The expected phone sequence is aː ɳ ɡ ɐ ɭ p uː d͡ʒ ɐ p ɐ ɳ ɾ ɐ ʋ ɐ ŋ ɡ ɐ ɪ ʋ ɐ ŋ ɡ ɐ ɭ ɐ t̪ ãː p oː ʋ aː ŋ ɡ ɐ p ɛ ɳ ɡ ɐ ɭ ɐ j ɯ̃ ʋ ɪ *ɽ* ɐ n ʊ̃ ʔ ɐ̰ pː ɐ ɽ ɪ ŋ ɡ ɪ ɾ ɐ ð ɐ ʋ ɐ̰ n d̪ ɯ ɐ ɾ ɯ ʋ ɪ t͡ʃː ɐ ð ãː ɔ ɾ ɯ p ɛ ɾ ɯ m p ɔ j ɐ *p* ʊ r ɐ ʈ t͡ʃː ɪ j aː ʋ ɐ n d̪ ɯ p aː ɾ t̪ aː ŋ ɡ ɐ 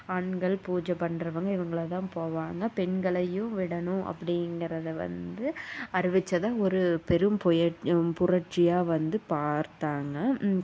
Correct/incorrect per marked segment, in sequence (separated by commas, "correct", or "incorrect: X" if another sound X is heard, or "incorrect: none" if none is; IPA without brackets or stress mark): correct, correct